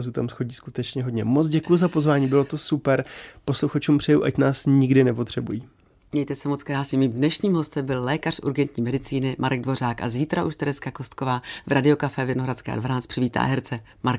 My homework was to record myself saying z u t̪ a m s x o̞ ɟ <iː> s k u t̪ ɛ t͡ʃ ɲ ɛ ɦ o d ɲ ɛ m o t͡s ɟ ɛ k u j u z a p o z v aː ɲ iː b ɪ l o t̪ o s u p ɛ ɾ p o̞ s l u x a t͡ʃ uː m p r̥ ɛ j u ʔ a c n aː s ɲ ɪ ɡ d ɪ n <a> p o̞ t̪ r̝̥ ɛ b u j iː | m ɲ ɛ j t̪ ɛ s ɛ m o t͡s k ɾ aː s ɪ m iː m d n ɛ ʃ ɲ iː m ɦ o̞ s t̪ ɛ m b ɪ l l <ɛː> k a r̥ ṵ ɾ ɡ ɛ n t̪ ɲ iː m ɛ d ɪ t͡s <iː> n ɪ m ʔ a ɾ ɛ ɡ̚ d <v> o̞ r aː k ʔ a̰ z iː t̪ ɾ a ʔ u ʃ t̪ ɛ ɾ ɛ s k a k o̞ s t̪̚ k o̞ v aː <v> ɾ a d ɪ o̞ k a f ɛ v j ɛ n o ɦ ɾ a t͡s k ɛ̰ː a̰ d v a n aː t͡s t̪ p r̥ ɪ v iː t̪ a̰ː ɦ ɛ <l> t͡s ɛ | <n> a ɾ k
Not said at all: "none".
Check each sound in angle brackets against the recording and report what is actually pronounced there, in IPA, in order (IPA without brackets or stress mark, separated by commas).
iː, ɛ, ɛː, iː, v, v, ɾ, m